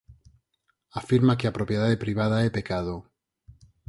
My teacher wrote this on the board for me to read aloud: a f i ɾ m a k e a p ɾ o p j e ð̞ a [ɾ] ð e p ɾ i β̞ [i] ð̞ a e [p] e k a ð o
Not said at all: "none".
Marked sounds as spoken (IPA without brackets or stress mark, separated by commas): none, a, p